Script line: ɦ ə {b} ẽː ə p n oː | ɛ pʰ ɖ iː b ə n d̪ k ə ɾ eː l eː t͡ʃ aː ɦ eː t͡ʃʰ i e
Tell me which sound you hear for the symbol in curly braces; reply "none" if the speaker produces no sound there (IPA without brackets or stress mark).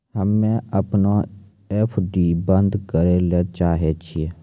m